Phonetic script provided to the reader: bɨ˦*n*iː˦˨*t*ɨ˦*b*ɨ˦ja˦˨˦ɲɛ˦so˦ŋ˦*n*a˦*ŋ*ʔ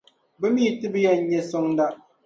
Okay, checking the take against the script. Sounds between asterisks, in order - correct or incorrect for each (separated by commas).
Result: incorrect, correct, correct, incorrect, incorrect